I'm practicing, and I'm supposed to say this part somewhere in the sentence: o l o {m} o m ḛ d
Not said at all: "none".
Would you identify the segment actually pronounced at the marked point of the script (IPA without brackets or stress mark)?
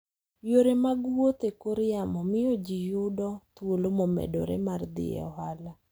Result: m